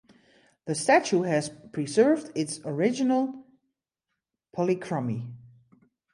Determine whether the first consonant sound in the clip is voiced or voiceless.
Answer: voiced